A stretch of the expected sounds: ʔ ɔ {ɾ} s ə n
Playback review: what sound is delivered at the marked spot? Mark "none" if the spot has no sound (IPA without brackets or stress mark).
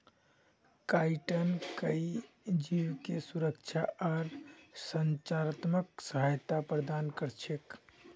ɾ